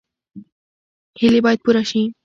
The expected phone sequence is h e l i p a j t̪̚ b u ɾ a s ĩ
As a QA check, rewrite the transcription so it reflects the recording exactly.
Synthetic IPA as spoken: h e l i b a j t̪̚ p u ɾ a ʃ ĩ